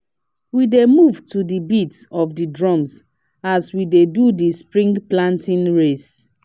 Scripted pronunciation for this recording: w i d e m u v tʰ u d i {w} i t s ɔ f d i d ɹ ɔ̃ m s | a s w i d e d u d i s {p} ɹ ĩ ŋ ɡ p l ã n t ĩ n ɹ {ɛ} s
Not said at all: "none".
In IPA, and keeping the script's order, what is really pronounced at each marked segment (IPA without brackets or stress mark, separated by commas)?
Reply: b, p, e